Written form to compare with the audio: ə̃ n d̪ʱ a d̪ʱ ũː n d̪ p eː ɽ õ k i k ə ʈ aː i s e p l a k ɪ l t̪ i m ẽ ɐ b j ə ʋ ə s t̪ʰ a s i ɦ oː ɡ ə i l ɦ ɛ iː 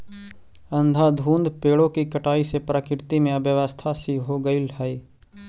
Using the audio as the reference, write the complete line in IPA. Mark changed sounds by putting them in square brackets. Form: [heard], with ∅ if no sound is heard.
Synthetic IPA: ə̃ n d̪ʱ a d̪ʱ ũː n d̪ p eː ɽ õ k i k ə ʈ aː i s e p [ɾ] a k ɪ [ɾ] t̪ i m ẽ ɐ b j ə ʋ ə s t̪ʰ a s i ɦ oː ɡ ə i l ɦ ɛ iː